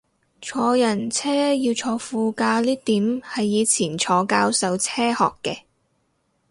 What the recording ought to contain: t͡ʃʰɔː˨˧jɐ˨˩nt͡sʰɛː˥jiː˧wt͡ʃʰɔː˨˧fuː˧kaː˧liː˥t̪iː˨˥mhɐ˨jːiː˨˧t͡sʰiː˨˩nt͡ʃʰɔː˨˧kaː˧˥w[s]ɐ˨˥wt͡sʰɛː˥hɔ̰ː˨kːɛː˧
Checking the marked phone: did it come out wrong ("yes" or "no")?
no